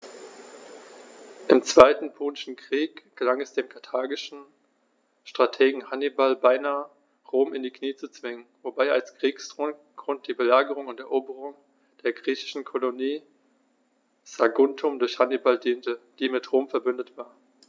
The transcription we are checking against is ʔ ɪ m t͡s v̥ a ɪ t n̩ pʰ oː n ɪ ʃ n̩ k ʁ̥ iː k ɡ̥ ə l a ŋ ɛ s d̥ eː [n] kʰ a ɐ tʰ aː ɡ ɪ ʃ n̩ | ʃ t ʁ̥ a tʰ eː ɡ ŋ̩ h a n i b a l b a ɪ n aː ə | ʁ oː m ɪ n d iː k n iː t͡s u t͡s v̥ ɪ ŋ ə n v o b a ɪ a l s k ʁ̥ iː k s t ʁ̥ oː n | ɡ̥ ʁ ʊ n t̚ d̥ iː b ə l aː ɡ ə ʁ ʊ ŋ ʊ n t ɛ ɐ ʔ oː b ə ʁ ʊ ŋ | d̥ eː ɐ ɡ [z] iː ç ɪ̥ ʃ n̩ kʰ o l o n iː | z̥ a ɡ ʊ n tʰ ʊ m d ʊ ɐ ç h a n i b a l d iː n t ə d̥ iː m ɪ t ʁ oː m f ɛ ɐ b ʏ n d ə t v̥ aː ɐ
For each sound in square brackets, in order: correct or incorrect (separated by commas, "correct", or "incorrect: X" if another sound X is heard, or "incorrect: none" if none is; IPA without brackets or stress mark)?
incorrect: m, incorrect: ʁ